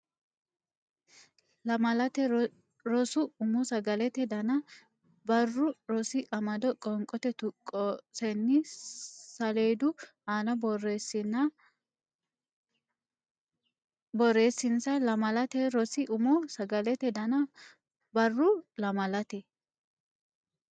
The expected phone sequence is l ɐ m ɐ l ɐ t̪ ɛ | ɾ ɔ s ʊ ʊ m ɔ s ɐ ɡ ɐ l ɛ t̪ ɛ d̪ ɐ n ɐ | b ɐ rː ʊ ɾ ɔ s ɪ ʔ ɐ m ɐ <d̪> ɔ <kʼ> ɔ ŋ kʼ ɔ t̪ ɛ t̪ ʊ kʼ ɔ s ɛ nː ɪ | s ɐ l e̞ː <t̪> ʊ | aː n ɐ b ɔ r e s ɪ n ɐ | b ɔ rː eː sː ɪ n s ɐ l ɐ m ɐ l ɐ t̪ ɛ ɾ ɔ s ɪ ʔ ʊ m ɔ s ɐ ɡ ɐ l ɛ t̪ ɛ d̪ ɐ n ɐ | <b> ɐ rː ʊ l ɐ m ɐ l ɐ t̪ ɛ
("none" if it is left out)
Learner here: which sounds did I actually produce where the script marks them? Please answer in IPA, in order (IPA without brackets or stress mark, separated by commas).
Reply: d̪, kʼ, d̪, b